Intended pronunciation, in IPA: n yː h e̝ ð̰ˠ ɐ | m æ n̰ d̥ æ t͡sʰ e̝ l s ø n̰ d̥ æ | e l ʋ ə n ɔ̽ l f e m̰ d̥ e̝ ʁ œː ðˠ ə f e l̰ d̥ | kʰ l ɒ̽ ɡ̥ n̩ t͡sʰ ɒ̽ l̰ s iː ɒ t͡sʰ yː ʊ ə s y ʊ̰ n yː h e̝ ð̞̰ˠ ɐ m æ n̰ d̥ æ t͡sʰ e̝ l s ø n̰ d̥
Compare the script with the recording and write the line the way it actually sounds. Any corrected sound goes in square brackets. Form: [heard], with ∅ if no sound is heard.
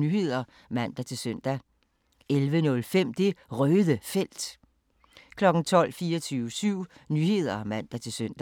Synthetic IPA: n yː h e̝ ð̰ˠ ɐ | m æ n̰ d̥ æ t͡sʰ e̝ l s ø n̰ d̥ æ | e l ʋ ə n ɔ̽ l f e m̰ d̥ e̝ ʁ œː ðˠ ə f e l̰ d̥ | kʰ l ɒ̽ ɡ̥ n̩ t͡sʰ ɒ̽ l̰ [f] iː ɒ t͡sʰ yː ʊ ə s y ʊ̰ n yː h e̝ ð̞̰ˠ ɐ m æ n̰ d̥ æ t͡sʰ e̝ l s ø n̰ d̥